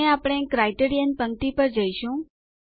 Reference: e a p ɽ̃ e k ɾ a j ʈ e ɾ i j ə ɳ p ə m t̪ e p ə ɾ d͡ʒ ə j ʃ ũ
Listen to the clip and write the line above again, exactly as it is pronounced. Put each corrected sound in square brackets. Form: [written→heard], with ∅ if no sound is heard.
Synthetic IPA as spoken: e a p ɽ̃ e k ɾ a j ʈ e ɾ i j ə [ɳ→n] p ə [m→ŋ] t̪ [e→i] p ə ɾ d͡ʒ ə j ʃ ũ

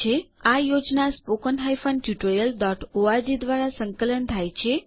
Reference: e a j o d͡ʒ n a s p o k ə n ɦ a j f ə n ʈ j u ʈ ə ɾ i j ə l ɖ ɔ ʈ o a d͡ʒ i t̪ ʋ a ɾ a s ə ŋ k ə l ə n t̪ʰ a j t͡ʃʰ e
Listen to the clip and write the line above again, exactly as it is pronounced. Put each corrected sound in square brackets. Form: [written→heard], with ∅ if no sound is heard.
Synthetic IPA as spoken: e a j o d͡ʒ n a s p o k ə n ɦ a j f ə n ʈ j u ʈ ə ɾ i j ə l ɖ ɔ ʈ o a d͡ʒ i [t̪→d̪] ʋ a ɾ a s ə ŋ k ə l ə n t̪ʰ a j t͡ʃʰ e

